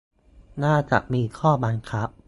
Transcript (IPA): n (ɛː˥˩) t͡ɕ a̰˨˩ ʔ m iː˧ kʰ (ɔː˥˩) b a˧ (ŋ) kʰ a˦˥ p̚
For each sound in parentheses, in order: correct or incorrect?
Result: incorrect: aː˥˩, correct, incorrect: n

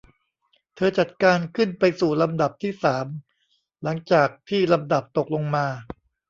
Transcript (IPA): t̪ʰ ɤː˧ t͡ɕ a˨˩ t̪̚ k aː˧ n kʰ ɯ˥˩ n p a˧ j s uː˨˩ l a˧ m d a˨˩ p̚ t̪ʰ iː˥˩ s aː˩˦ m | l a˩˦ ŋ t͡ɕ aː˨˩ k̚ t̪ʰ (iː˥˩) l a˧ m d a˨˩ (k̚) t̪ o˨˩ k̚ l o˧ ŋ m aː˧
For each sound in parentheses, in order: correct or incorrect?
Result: correct, incorrect: p̚

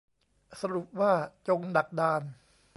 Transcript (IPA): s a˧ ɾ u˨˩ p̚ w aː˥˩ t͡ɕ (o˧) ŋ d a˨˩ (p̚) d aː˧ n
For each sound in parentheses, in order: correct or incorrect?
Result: correct, incorrect: k̚

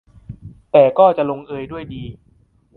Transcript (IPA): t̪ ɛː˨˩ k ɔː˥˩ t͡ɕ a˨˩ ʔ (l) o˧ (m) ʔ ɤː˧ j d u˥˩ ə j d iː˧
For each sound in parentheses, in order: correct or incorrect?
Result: correct, incorrect: ŋ

